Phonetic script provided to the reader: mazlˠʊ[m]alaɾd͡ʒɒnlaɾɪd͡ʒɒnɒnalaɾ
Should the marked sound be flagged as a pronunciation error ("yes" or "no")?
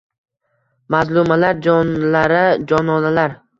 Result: no